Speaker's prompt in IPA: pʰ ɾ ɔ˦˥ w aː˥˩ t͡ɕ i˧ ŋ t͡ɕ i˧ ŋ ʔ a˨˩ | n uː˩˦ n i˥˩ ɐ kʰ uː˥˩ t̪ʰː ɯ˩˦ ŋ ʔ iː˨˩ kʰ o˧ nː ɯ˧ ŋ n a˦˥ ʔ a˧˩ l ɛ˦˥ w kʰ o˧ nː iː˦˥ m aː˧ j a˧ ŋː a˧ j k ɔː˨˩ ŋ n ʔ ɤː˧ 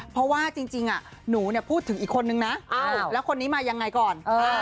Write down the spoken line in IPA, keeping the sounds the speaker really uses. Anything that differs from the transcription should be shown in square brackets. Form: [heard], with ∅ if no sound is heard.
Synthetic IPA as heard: pʰ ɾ ɔ˦˥ w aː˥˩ t͡ɕ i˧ ŋ t͡ɕ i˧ ŋ ʔ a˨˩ | n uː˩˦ n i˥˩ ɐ [pʰ] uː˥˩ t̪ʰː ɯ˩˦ ŋ ʔ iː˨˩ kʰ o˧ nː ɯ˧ ŋ n a˦˥ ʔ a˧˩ l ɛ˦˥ w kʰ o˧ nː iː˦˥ m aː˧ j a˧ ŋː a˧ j k ɔː˨˩ [∅] n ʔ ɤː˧